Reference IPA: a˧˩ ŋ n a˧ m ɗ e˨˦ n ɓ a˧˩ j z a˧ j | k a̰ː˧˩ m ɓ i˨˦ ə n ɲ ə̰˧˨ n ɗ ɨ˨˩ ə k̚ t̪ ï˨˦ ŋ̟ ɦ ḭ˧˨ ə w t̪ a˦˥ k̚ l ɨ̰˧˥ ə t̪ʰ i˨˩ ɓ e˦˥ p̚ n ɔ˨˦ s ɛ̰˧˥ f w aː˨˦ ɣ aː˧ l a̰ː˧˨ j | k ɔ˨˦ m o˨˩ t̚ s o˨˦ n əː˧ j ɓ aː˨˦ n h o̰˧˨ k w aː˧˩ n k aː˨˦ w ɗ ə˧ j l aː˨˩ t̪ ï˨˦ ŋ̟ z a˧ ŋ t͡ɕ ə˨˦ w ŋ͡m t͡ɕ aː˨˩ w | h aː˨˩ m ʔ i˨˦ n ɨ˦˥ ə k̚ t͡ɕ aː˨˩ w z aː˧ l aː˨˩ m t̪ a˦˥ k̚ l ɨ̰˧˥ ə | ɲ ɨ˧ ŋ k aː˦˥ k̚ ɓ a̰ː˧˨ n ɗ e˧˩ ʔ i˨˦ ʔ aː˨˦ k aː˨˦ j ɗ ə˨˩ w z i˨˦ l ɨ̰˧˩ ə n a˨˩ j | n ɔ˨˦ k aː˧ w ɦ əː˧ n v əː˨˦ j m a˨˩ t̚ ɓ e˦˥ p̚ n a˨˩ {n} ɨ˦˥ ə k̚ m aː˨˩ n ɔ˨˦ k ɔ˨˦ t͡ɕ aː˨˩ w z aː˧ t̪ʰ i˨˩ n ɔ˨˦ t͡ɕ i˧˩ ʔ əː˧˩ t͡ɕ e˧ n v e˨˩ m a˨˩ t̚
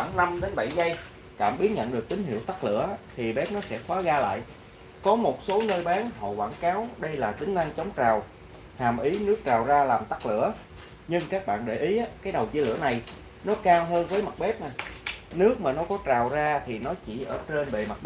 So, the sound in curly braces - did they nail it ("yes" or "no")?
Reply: yes